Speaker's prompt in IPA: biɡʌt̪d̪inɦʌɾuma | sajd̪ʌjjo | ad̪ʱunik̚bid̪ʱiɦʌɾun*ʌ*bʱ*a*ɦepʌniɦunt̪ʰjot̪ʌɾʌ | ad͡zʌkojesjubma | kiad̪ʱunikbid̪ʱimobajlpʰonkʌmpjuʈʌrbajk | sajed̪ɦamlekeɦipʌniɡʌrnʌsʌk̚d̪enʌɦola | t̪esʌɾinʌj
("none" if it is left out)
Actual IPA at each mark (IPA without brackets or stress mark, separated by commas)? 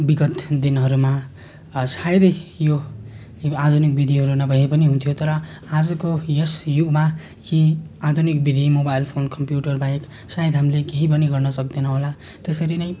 ʌ, ʌ